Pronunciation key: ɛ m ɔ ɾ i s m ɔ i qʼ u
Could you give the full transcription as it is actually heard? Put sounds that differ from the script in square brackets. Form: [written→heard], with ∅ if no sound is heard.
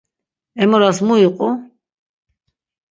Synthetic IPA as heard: ɛ m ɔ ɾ [i→a] s m [ɔ→u] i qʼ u